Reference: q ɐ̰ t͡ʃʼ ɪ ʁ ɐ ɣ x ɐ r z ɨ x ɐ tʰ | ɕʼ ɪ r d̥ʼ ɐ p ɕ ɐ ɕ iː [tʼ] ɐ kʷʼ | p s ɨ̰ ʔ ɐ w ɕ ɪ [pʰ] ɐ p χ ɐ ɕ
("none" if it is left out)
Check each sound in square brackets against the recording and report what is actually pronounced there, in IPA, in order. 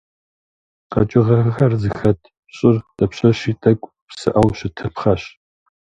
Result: tʼ, tʰ

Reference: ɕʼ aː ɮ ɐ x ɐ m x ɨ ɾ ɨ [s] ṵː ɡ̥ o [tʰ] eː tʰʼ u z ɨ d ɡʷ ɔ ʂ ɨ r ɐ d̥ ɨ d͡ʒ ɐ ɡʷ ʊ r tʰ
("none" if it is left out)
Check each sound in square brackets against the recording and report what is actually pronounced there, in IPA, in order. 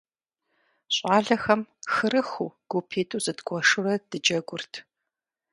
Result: x, pʰ

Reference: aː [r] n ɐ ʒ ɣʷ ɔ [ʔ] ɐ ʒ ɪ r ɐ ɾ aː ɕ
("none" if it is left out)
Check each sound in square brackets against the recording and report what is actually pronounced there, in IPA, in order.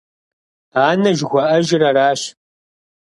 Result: none, ʔ

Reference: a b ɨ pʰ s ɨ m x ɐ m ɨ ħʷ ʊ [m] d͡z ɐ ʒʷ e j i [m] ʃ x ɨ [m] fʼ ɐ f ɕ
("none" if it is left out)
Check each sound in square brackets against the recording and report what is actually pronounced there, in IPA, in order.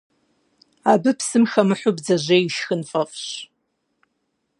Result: b, none, n

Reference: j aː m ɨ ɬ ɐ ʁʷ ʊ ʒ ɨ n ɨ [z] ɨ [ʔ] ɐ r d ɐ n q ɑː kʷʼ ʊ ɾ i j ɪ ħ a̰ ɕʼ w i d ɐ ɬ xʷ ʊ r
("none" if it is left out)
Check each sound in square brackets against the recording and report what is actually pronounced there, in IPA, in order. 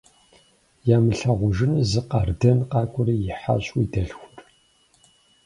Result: z, q

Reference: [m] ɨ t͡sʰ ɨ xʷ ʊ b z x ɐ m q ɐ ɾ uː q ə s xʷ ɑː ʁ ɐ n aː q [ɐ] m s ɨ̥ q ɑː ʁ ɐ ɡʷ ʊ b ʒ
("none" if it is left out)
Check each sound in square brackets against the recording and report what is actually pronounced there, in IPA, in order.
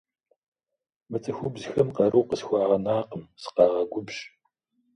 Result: m, ə

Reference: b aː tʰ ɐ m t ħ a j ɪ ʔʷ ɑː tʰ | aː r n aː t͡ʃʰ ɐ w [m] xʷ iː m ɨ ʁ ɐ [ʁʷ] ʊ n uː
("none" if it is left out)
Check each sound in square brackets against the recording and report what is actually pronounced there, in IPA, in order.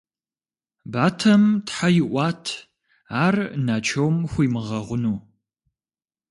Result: m, ʁʷ

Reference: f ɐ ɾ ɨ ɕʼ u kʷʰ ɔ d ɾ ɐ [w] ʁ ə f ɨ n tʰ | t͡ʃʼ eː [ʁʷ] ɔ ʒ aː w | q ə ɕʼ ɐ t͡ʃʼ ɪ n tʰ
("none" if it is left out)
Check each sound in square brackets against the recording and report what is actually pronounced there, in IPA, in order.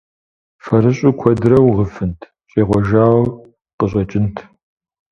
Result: w, ʁʷ

